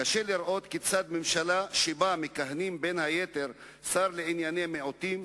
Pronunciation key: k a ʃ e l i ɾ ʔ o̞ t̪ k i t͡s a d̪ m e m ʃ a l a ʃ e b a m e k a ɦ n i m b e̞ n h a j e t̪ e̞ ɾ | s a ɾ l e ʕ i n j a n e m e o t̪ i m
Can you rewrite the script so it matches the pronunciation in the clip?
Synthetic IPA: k a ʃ e l i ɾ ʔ o̞ t̪ k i t͡s a d̪ m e m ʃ a l a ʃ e b a m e k a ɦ n i m b e̞ n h a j e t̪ e̞ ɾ | s a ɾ l e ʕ i n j a n e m e o t̪ i m